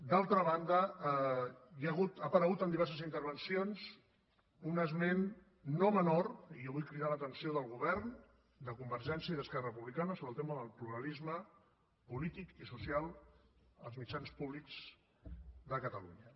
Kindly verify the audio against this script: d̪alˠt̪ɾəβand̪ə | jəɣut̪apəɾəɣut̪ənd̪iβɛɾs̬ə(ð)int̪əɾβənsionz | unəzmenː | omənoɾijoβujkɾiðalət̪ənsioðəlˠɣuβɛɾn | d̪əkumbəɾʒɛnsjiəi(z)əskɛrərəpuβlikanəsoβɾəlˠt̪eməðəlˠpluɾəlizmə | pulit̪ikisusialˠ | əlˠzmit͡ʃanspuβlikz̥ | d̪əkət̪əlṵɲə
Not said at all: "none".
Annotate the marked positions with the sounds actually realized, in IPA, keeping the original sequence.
z, ð

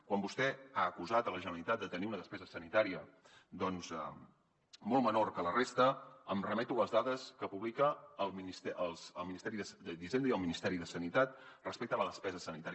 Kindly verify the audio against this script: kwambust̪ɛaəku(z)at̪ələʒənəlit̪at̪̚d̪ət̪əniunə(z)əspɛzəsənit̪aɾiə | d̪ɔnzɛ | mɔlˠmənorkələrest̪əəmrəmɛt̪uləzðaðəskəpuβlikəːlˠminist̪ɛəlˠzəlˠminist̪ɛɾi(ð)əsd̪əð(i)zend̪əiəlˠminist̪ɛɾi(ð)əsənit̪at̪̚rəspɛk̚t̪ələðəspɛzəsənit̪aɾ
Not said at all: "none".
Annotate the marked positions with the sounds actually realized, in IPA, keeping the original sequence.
z, ð, ð, i, ð

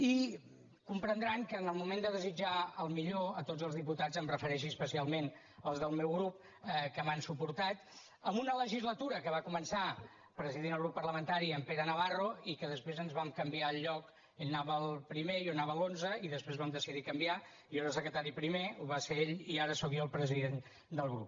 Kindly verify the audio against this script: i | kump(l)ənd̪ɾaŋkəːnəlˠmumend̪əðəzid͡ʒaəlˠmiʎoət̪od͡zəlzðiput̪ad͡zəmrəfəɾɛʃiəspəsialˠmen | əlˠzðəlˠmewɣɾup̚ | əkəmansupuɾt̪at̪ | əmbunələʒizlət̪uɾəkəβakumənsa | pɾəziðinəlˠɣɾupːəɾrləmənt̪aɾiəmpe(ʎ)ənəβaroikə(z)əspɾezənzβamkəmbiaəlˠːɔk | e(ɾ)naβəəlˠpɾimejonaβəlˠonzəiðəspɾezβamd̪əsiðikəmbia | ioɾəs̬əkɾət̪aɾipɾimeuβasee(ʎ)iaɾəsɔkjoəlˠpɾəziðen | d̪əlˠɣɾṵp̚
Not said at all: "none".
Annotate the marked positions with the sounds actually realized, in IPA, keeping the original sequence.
ɾ, ɾ, ð, ʎ, ʎ

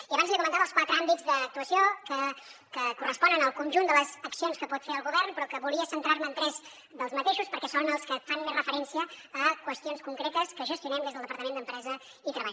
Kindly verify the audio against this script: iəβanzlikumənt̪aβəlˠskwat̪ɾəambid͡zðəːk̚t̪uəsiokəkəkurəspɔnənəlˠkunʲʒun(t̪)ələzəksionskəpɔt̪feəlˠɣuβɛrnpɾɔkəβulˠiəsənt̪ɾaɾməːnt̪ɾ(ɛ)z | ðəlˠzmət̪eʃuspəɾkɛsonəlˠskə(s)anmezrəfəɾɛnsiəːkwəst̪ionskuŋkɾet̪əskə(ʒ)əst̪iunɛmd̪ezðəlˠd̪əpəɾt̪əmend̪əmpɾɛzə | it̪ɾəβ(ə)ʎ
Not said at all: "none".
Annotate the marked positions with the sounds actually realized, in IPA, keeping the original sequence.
d̪, ɛ, f, ʒ, a

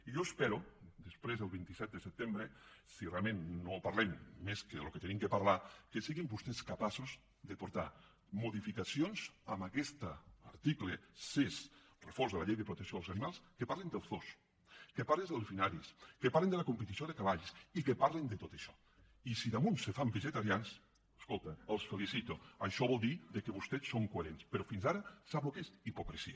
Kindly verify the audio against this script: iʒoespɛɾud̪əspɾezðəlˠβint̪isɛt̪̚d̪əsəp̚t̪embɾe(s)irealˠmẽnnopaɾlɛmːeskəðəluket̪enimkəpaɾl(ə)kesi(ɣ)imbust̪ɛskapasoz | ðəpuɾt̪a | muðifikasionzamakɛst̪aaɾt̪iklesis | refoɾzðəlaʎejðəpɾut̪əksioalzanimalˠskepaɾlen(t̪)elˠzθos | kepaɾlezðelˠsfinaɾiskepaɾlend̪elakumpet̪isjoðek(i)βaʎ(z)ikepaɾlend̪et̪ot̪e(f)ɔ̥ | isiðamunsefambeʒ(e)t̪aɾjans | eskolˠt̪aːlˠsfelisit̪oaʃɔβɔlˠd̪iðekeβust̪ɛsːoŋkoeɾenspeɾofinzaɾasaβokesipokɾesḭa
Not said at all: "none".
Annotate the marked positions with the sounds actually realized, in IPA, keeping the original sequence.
s, a, ɣ, d̪, a, s, ʃ, e

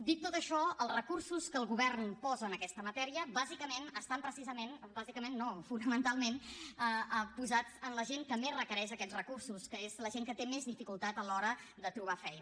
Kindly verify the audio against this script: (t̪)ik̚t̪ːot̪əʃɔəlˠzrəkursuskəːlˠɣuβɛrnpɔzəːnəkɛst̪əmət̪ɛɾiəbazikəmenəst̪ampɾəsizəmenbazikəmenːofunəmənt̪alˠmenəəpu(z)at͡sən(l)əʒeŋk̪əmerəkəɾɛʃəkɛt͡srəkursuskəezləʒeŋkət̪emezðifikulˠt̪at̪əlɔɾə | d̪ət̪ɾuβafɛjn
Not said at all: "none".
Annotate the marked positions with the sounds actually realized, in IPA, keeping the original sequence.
d̪, z, l

